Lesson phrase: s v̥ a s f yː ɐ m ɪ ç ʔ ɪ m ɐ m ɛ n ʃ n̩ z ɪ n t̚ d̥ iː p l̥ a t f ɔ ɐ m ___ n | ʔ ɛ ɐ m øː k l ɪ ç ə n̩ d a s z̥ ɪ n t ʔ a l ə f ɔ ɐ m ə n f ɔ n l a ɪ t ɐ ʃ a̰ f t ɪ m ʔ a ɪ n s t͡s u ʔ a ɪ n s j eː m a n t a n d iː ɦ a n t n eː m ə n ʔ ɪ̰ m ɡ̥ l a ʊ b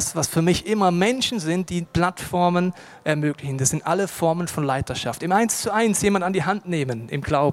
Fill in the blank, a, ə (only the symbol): ə